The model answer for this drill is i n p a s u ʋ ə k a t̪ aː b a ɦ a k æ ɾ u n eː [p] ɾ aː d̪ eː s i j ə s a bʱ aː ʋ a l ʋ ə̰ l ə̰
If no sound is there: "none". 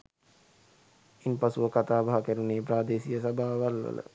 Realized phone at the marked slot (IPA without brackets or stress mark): p